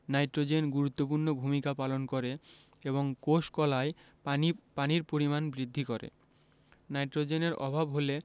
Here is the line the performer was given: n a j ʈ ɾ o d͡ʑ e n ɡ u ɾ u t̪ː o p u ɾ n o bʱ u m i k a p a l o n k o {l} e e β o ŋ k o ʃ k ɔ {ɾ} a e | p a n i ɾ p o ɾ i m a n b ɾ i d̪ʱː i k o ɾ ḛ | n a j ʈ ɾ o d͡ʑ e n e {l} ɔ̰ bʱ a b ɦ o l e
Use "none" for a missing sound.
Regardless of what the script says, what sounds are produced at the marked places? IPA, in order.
ɾ, l, ɾ

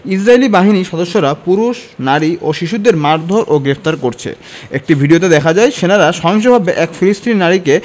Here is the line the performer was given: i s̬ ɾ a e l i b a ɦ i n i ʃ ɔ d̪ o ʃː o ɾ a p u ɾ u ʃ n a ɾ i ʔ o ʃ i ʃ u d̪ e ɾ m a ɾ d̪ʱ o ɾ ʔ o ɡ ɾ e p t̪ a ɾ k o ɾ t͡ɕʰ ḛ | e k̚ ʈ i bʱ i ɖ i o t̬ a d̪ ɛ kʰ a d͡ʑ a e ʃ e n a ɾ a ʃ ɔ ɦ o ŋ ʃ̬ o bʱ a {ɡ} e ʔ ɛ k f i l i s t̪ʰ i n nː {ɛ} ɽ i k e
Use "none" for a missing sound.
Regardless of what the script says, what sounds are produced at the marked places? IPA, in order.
b, a

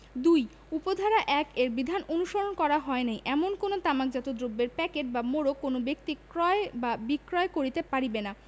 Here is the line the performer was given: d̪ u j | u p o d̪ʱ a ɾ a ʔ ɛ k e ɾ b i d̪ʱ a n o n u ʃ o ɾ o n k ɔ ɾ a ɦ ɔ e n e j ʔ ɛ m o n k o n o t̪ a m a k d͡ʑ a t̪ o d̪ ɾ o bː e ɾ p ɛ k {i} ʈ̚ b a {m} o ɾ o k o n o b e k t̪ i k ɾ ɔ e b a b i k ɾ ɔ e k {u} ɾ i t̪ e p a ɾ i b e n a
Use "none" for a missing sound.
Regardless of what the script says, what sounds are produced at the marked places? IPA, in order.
e, m, o

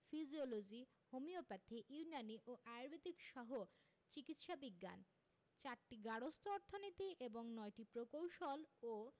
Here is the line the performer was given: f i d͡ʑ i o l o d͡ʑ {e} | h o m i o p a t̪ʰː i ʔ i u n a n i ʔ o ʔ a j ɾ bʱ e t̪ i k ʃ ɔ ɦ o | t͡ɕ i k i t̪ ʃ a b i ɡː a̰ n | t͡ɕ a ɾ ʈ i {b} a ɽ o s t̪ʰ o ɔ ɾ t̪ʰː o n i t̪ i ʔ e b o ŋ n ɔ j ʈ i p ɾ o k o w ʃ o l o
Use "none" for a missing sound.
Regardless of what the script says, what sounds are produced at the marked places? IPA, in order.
i, ɡ

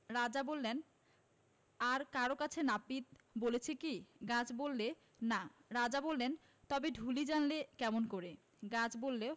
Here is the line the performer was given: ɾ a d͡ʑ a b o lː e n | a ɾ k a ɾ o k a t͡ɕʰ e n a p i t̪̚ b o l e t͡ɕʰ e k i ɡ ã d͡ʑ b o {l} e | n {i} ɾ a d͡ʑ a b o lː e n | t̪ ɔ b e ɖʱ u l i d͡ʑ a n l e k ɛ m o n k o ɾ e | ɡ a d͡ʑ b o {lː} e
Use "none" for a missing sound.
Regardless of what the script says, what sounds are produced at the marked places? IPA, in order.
lː, a, lː

